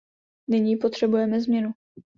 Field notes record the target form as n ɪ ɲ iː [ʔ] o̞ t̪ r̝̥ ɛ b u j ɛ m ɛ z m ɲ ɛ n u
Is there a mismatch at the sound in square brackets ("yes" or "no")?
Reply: yes